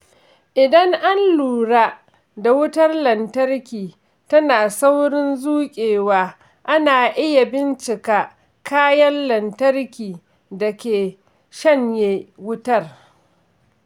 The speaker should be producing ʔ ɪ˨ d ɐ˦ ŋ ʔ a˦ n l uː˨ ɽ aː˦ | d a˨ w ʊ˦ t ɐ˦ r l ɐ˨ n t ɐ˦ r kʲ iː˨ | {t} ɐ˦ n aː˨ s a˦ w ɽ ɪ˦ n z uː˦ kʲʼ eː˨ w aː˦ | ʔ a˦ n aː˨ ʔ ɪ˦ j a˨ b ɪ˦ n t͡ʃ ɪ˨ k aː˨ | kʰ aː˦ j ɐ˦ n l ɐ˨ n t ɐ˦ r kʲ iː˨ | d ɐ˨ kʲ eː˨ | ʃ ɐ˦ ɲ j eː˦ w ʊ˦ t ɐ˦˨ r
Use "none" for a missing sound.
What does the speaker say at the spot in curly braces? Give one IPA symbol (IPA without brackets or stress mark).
t